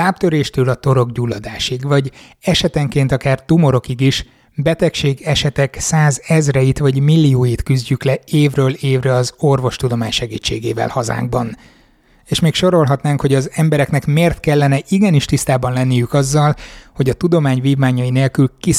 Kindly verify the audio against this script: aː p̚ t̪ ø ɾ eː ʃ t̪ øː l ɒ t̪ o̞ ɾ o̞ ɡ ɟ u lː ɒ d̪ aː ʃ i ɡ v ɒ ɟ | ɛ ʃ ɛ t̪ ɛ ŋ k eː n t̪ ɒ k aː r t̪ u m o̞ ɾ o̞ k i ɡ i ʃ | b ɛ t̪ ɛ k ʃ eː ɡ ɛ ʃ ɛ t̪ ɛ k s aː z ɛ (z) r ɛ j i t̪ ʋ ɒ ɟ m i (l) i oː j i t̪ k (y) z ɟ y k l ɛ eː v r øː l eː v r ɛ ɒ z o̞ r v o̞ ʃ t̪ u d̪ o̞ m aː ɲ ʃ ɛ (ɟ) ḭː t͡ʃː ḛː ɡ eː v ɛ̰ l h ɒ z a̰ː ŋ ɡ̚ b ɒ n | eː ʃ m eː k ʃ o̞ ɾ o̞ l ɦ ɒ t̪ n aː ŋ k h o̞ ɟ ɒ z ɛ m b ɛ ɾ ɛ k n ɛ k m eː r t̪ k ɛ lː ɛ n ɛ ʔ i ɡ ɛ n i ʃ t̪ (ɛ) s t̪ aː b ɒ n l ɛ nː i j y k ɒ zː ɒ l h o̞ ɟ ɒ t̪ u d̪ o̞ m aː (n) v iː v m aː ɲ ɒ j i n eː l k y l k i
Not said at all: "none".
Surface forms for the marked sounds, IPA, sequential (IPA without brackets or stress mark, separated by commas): z, lː, y, ɡ, i, ɲ